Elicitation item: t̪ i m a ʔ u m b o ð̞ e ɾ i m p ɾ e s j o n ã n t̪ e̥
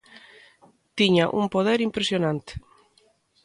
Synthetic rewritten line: t̪ i ɲ a ʔ u m p o ð̞ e ɾ i m p ɾ e s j o n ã n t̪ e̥